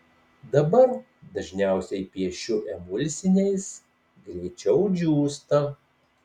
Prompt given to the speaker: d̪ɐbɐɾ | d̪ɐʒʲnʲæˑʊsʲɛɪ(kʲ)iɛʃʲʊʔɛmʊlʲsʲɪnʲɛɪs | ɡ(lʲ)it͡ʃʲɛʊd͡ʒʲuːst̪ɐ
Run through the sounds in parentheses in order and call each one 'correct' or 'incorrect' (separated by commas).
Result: incorrect, incorrect